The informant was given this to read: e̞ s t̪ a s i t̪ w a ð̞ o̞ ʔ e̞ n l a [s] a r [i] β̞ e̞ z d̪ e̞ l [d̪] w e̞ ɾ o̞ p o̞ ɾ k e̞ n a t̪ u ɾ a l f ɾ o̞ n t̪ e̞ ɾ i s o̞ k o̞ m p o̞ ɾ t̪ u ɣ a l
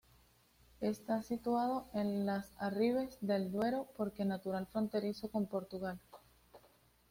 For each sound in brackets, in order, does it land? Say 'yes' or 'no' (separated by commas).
yes, yes, yes